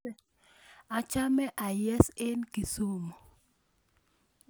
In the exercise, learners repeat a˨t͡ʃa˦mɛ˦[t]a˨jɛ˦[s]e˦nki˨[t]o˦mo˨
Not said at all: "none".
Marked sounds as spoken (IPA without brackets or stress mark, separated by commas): ʔ, s, s